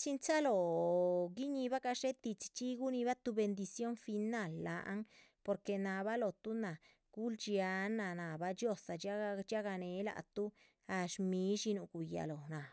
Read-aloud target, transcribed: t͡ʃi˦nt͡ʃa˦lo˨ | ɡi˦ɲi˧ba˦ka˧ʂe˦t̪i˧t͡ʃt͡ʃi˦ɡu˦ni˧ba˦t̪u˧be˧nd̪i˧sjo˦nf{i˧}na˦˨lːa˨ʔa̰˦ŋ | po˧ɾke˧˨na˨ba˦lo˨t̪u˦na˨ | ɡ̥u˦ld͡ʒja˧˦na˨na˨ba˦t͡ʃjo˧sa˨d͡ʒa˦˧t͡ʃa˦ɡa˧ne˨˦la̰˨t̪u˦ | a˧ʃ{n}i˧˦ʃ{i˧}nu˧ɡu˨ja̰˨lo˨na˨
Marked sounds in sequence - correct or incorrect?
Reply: correct, incorrect, correct

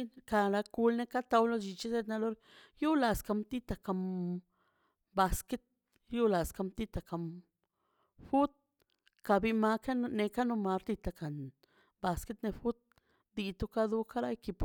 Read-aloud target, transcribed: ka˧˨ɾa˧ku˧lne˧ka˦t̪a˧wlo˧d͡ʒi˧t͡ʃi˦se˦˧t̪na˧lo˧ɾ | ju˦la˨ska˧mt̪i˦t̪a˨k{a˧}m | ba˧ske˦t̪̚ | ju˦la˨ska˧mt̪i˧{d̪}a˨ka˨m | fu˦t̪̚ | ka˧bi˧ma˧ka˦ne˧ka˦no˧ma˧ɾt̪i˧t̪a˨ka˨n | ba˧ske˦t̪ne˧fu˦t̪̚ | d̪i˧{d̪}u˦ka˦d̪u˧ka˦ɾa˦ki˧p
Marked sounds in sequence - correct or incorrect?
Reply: correct, incorrect, incorrect

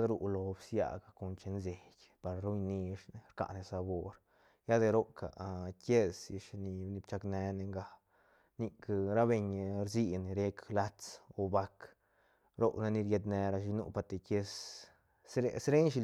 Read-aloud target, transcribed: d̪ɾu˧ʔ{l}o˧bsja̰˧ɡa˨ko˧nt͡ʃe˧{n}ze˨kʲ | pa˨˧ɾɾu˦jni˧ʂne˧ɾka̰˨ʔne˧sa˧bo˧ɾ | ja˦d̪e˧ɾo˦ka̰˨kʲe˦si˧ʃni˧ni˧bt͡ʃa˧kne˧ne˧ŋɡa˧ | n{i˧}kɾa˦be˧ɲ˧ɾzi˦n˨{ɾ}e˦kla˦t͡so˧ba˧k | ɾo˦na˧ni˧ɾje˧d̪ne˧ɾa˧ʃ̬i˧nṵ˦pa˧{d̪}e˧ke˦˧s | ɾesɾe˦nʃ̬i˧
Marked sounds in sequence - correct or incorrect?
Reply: correct, correct, correct, correct, incorrect

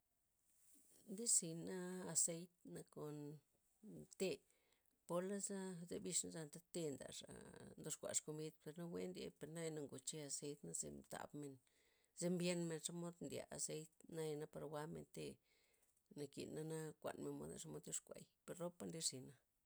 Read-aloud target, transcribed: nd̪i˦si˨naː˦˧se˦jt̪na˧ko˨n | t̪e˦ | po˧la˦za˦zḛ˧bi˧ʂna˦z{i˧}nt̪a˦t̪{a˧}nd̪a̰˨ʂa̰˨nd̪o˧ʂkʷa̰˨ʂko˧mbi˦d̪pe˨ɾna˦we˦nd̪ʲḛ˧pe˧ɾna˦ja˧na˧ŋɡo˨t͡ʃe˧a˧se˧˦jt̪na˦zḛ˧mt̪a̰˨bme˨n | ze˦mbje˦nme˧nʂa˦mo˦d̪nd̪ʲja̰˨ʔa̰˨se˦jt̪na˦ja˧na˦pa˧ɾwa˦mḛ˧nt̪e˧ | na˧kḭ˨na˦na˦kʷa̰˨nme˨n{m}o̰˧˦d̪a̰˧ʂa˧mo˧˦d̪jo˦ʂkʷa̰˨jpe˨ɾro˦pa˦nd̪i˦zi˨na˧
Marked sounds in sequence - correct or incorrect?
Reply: incorrect, incorrect, correct

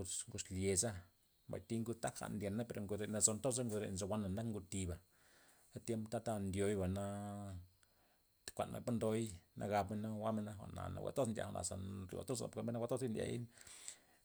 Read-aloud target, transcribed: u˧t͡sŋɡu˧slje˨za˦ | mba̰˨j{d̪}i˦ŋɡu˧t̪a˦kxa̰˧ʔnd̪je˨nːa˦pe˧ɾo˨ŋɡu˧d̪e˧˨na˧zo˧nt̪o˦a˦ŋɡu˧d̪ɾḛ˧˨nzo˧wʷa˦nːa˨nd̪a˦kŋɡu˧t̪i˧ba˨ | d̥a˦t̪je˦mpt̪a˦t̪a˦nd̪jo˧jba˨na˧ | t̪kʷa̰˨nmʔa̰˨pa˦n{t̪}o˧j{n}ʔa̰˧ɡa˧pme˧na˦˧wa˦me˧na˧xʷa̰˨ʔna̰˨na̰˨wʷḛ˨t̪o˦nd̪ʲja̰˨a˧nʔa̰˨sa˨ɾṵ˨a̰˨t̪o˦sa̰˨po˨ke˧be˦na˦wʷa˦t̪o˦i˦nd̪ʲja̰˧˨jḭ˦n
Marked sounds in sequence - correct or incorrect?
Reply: incorrect, incorrect, correct

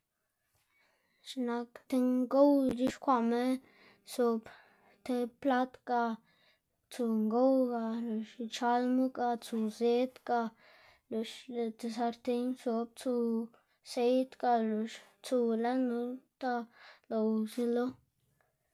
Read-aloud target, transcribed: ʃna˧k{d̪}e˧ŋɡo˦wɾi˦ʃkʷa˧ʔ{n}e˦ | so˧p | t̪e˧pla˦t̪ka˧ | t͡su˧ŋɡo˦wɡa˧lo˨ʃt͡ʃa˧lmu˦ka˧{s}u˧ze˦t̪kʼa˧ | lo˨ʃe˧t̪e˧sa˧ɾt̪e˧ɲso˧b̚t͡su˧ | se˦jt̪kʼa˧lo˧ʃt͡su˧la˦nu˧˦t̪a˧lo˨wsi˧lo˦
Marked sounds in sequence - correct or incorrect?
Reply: incorrect, incorrect, incorrect

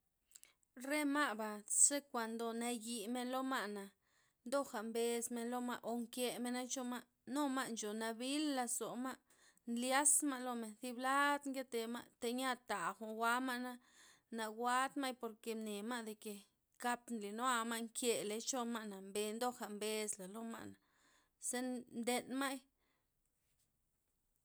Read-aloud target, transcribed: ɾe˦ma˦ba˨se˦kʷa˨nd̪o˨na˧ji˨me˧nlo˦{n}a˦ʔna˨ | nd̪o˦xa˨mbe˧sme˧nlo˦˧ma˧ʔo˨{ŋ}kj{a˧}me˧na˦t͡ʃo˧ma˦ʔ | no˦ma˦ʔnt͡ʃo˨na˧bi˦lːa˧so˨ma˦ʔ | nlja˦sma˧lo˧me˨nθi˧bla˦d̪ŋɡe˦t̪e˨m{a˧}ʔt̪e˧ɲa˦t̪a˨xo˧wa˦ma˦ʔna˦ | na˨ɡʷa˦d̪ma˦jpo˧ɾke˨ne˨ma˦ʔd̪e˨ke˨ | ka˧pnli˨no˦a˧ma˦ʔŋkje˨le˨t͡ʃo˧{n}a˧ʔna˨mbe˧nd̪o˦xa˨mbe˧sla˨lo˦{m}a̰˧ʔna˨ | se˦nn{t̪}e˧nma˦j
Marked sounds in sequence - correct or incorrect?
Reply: incorrect, correct, incorrect, correct, incorrect, correct, incorrect

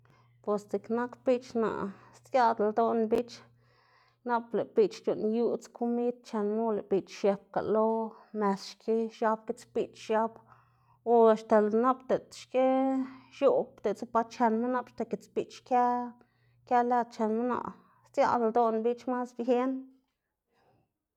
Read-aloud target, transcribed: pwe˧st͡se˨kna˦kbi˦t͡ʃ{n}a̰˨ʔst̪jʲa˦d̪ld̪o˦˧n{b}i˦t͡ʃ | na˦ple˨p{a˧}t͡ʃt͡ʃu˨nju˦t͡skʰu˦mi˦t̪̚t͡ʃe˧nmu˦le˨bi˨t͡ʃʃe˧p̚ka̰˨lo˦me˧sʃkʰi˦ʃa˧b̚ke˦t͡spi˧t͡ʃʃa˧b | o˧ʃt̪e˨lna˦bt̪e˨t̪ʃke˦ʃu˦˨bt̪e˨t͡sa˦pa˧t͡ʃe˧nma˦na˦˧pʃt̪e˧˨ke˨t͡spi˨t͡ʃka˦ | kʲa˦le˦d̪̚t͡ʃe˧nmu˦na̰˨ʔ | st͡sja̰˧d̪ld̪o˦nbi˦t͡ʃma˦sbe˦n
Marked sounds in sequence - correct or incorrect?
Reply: correct, correct, incorrect

